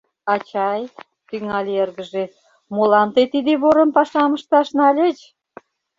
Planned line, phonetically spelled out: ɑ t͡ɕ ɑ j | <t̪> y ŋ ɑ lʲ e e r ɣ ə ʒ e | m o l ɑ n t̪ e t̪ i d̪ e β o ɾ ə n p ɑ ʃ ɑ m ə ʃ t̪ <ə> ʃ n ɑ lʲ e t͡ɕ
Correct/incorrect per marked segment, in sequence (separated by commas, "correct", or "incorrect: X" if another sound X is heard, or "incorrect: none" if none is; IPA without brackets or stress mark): correct, incorrect: ɑ